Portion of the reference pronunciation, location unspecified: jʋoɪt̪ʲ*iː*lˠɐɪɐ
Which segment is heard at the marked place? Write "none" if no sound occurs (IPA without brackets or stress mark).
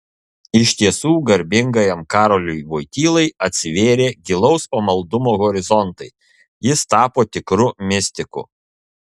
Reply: iː